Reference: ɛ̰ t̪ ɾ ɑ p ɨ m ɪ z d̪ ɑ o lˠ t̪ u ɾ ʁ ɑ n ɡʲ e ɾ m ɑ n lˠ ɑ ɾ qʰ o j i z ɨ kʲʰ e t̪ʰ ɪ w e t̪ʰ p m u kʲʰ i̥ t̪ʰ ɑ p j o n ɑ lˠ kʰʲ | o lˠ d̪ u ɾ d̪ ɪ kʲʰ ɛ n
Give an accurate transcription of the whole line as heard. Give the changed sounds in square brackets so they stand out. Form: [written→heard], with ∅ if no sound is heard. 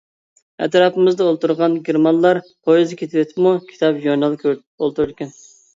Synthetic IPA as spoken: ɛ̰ t̪ ɾ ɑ p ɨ m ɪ z d̪ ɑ o lˠ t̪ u ɾ ʁ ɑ n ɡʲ e ɾ m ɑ n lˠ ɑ ɾ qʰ o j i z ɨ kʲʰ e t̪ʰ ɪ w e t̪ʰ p m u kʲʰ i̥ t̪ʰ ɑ p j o n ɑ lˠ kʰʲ | o lˠ [d̪→t̪] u ɾ d̪ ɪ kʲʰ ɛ n